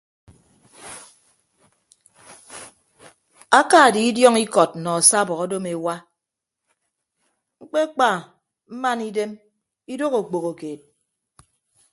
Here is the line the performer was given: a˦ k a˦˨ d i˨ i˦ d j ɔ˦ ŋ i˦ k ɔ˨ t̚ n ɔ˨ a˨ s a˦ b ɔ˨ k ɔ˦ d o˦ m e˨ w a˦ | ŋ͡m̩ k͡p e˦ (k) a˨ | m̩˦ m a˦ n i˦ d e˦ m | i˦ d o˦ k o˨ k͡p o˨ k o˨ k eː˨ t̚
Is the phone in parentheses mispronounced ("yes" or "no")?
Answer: yes